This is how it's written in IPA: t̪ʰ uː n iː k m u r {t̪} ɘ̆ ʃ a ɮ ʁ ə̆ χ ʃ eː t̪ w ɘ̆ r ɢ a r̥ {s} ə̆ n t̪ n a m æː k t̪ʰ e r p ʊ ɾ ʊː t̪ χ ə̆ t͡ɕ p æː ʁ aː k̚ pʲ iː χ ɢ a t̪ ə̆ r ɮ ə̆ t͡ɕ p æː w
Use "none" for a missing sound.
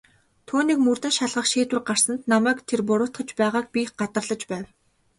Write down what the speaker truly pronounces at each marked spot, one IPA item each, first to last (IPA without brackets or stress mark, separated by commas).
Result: t̪, s